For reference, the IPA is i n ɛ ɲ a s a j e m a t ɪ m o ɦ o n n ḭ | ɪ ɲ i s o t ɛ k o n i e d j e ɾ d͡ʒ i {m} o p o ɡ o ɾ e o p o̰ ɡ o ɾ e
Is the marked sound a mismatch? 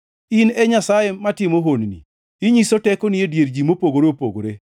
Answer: no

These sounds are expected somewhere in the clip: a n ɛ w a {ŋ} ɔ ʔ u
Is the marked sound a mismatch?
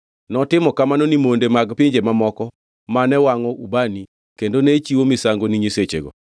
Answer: no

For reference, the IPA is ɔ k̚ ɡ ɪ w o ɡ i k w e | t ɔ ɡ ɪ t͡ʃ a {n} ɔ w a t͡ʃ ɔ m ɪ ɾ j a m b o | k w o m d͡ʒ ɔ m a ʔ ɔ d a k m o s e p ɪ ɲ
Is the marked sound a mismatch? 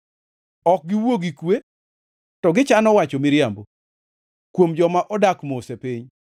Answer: no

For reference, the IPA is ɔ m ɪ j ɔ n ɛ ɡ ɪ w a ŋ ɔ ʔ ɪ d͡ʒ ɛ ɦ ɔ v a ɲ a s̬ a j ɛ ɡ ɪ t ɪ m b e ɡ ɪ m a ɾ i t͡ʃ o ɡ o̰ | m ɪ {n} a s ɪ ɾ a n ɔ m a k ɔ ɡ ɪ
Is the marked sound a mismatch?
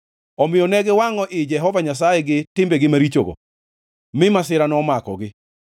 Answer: yes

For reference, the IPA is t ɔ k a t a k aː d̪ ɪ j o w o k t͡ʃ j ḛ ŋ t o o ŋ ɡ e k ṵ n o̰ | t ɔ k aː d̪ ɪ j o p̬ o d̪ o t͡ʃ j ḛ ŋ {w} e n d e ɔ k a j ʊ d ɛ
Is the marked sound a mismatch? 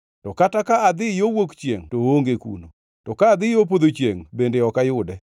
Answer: yes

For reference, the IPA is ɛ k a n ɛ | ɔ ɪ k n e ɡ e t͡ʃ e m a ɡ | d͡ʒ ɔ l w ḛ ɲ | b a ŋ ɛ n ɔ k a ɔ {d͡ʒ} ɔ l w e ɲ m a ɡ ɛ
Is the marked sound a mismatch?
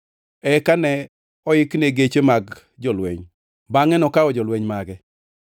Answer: no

